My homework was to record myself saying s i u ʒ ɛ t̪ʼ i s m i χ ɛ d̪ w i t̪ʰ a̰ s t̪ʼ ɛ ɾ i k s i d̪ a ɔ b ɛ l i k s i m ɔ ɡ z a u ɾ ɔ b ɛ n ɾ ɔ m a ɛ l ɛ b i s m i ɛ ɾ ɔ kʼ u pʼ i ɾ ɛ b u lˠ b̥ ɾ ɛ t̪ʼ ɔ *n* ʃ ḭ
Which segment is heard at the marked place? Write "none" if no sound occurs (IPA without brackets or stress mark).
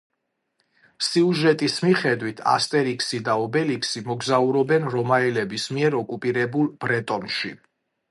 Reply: n